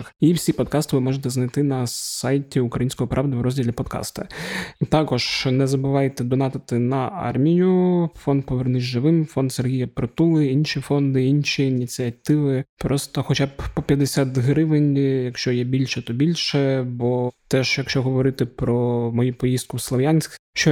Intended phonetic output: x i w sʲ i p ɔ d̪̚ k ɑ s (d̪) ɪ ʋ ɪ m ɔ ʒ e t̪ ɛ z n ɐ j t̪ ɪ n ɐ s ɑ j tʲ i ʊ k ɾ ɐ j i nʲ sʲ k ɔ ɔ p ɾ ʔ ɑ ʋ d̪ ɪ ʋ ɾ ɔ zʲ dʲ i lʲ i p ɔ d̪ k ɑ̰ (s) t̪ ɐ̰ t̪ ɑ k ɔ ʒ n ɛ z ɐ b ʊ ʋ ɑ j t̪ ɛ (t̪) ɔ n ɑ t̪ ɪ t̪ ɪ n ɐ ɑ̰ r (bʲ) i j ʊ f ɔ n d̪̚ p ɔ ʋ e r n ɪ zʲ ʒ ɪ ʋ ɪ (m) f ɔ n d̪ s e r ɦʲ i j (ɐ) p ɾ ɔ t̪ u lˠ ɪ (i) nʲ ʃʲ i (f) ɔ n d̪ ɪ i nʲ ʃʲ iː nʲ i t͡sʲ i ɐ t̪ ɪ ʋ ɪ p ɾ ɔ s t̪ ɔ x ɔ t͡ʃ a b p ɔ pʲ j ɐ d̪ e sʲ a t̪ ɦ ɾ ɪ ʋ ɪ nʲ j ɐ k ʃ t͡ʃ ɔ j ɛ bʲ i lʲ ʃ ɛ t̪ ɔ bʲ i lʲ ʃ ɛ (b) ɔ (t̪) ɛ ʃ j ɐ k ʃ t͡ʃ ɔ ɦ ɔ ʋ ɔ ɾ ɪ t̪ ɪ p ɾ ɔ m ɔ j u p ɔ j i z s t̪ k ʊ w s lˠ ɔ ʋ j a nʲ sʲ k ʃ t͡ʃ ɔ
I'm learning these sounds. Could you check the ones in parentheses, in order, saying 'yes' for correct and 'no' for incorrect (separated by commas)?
no, yes, no, no, yes, yes, yes, yes, yes, yes